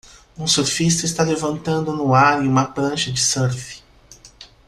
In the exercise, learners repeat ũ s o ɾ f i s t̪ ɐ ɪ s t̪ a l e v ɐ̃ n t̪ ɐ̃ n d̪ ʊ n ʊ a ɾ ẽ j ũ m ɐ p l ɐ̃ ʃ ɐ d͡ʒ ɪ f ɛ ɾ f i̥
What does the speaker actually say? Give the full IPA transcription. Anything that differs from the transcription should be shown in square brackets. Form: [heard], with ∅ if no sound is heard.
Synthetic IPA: ũ s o ɾ f i s t̪ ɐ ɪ s t̪ a l e v ɐ̃ n t̪ ɐ̃ n d̪ ʊ n ʊ a ɾ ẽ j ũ m ɐ p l ɐ̃ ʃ ɐ d͡ʒ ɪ [s] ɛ ɾ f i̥